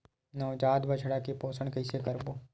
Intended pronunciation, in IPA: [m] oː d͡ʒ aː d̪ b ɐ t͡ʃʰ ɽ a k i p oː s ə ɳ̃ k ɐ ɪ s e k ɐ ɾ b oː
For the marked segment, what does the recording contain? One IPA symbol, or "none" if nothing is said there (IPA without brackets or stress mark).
n